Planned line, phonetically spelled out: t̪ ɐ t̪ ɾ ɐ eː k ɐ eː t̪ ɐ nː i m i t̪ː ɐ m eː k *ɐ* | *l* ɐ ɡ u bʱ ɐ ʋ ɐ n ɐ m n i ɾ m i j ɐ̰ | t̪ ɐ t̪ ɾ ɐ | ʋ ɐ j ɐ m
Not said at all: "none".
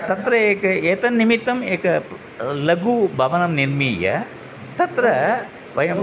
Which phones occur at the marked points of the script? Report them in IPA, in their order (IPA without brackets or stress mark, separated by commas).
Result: ɐ, l